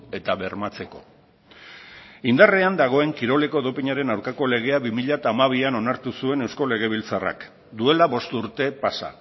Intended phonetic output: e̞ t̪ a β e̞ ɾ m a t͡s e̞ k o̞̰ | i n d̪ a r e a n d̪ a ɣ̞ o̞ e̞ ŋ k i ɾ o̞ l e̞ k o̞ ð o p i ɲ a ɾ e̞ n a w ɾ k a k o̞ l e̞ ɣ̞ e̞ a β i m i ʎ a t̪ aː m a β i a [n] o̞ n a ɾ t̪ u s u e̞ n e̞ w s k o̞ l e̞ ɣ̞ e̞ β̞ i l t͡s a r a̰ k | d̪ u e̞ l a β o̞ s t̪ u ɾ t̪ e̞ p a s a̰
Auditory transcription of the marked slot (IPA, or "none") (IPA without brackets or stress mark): n